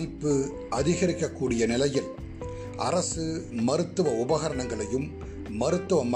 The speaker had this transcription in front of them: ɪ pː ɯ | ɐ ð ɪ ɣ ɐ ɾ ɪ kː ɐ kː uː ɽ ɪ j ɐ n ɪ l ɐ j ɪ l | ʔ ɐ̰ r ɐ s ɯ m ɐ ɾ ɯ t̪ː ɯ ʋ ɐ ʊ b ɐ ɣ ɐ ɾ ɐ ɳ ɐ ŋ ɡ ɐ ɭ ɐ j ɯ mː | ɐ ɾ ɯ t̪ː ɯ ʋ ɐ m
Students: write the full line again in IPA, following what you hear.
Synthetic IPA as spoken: ɪ pː ɯ | ɐ ð ɪ ɣ ɐ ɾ ɪ kː ɐ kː uː ɽ ɪ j ɐ n ɪ l ɐ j ɪ l | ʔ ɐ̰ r ɐ s ɯ m ɐ ɾ ɯ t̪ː ɯ ʋ ɐ ʊ b ɐ ɣ ɐ ɾ ɐ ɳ ɐ ŋ ɡ ɐ ɭ ɐ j ɯ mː | ɐ ɾ ɯ t̪ː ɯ ʋ ɐ m